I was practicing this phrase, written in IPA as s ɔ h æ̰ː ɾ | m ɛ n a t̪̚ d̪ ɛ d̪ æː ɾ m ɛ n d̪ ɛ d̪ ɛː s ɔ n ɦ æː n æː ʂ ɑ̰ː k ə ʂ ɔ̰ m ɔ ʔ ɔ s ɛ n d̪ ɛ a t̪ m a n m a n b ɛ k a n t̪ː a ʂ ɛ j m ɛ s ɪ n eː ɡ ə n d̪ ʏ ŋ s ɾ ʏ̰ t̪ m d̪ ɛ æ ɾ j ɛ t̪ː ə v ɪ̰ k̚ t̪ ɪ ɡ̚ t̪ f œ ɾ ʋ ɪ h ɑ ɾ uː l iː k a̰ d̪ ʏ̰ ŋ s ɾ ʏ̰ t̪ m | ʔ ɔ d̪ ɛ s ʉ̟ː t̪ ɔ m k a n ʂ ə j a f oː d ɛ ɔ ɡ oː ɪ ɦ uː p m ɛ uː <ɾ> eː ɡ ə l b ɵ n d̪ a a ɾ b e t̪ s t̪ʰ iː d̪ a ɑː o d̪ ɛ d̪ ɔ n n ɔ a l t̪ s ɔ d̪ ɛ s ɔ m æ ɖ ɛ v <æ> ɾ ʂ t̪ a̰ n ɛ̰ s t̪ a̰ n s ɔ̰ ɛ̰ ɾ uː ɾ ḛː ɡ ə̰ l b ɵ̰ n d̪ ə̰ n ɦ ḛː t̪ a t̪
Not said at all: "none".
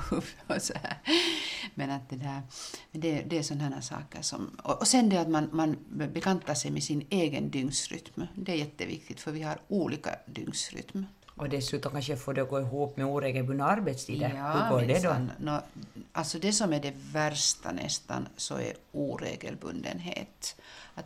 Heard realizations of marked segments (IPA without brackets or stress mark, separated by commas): ɾ, æ